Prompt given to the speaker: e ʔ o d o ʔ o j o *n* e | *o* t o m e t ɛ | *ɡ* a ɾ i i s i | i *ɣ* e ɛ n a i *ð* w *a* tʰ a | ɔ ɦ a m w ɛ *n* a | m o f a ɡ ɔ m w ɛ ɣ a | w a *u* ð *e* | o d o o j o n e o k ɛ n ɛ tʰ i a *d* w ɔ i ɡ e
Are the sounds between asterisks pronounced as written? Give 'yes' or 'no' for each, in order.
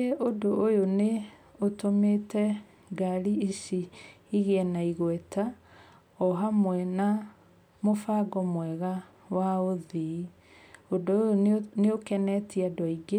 yes, yes, yes, yes, no, no, yes, no, no, yes

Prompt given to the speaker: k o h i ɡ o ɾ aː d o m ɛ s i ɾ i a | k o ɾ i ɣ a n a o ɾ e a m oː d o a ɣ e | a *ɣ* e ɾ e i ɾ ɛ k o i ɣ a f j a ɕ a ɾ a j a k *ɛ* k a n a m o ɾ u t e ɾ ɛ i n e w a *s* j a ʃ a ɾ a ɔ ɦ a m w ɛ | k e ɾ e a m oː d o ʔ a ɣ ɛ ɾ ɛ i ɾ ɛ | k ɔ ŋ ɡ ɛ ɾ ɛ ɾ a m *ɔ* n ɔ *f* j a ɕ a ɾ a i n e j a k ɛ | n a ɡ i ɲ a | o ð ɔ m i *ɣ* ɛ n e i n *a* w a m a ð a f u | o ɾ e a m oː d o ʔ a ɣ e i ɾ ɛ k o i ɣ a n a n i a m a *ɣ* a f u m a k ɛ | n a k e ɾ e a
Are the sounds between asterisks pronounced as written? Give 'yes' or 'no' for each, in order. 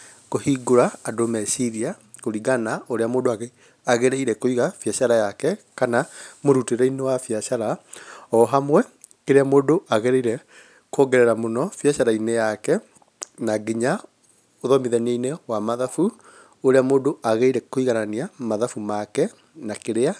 yes, yes, no, no, yes, no, no, no

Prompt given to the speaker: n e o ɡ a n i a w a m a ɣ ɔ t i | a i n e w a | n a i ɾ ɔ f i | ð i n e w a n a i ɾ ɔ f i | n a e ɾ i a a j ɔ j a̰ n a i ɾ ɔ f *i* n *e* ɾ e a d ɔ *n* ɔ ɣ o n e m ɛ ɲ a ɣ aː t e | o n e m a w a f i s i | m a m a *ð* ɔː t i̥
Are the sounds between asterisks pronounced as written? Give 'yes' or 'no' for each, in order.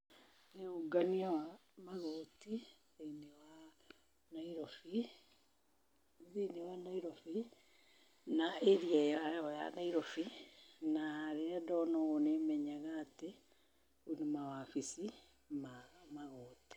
yes, no, yes, no

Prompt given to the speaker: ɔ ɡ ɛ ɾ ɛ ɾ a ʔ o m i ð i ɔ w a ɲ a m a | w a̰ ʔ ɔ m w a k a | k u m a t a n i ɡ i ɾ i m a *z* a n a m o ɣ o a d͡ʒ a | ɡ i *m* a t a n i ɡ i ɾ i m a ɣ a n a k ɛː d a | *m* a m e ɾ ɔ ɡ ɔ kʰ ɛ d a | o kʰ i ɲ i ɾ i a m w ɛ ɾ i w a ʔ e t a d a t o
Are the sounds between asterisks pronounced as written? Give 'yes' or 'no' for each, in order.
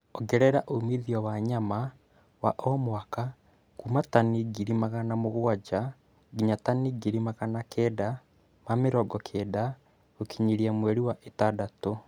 no, no, yes

